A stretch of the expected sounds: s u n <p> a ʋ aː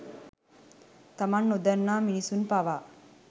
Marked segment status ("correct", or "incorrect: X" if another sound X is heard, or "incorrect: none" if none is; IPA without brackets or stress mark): correct